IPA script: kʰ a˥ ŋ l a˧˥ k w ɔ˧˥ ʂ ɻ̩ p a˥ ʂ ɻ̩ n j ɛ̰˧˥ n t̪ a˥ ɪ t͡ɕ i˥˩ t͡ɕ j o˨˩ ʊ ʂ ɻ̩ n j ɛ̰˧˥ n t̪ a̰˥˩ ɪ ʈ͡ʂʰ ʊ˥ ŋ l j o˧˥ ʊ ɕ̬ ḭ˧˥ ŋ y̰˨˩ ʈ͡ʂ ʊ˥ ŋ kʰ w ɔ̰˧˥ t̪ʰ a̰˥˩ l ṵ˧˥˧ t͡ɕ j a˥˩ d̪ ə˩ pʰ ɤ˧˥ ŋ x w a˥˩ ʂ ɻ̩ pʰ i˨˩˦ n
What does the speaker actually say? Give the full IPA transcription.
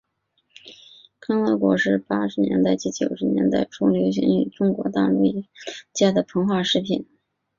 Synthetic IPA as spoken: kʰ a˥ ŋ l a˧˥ k w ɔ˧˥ ʂ ɻ̩ p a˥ ʂ ɻ̩ n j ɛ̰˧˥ n t̪ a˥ ɪ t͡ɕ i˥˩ t͡ɕ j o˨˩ ʊ ʂ ɻ̩ n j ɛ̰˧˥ n t̪ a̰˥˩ ɪ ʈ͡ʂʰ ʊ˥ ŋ l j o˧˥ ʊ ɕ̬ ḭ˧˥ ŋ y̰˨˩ ʈ͡ʂ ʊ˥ ŋ k w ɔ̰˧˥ t̪ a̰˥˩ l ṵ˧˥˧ t͡ɕ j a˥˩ d̪ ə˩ pʰ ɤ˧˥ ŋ x w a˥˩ ʂ ɻ̩ pʰ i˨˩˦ n

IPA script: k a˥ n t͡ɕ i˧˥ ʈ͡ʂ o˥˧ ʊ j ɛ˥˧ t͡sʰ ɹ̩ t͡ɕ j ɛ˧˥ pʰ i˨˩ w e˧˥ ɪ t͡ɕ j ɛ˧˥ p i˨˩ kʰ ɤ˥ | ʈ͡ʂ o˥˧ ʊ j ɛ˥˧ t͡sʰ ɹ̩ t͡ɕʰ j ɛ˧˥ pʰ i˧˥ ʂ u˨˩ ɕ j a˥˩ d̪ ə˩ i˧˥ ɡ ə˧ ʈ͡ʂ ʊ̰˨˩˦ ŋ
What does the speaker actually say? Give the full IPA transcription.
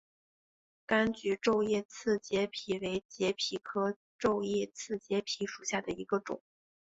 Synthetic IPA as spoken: k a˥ n t͡ɕ y˧˥ ʈ͡ʂ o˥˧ ʊ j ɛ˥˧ t͡sʰ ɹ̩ t͡ɕ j ɛ˧˥ pʰ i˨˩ w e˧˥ ɪ t͡ɕ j ɛ˧˥ pʰ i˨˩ kʰ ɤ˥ | ʈ͡ʂ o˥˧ ʊ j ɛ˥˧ t͡sʰ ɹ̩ t͡ɕ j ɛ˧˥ pʰ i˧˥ ʂ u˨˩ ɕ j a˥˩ d̪ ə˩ i˧˥ ɡ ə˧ ʈ͡ʂ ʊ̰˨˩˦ ŋ

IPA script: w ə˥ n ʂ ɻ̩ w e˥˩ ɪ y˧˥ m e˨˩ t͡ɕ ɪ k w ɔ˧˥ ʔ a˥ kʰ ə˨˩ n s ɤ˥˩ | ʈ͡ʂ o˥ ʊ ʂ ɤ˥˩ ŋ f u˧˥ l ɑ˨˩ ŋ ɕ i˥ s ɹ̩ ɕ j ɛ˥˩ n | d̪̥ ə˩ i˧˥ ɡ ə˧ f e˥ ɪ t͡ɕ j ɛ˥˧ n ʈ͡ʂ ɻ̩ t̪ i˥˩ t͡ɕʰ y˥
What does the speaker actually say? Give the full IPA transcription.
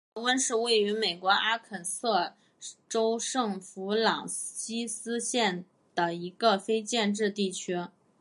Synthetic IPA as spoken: w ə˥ n ʂ ɻ̩ w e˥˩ ɪ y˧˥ m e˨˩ ɪ k w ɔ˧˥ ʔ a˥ kʰ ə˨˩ n s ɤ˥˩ | ʈ͡ʂ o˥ ʊ ʂ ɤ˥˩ ŋ f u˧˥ l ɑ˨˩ ŋ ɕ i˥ s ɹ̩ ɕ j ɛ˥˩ n | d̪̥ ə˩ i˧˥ ɡ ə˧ f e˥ ɪ t͡ɕ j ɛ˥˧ n ʈ͡ʂ ɻ̩ t̪ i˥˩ t͡ɕʰ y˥

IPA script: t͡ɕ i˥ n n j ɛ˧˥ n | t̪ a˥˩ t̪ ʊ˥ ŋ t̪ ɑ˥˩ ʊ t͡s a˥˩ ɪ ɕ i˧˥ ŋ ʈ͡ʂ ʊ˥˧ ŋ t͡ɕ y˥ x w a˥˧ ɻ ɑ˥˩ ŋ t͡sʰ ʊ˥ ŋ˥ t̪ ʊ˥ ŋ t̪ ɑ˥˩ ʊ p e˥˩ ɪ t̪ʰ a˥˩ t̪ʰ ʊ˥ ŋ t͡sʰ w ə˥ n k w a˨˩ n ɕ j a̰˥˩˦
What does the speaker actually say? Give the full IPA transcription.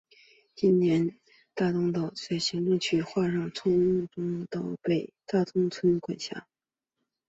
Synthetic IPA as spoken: t͡ɕ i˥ n n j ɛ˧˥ n | t̪ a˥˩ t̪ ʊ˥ ŋ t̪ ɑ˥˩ ʊ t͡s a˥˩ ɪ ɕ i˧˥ ŋ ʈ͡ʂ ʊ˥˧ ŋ t͡ɕʰ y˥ x w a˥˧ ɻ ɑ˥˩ ŋ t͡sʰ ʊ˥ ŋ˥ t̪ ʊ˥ ŋ t̪ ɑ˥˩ ʊ p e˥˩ ɪ t̪ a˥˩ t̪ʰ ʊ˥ ŋ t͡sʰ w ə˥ n k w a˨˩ n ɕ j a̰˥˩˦

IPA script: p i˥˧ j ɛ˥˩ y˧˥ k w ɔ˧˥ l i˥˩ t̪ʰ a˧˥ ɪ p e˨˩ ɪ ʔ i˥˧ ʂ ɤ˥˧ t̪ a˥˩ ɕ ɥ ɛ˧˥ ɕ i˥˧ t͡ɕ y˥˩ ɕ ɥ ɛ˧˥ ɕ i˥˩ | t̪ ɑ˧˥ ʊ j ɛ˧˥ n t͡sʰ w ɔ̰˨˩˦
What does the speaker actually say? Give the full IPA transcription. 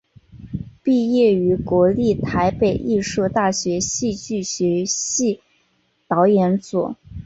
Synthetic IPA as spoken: p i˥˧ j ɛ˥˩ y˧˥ k w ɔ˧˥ l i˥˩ t̪ʰ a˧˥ ɪ p e˨˩ ɪ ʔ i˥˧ ʂ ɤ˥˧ t̪ a˥˩ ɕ ɥ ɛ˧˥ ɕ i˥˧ t͡ɕ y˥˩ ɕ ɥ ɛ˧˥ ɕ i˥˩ | t̪ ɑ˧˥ ʊ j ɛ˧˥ n t͡s w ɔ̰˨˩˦

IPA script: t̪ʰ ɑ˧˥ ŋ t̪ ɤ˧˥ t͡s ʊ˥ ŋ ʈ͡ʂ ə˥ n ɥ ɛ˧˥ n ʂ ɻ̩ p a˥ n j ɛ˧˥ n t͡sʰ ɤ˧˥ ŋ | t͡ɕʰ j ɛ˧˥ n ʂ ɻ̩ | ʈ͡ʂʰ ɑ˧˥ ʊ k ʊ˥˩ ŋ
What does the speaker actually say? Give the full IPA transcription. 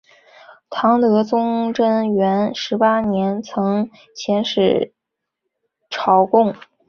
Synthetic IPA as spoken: t̪ʰ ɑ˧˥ ŋ t̪ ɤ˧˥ t͡s ʊ˥ ŋ ʈ͡ʂ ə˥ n ɥ ɛ˧˥ n ʂ ɻ̩ p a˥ n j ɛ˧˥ n t͡sʰ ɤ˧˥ ŋ | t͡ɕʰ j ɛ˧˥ n ʂ ɻ̩ | ʈ͡ʂʰ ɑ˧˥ ʊ k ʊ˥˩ ŋ

